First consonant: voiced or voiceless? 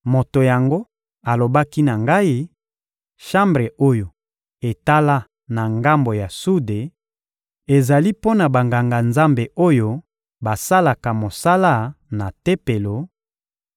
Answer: voiced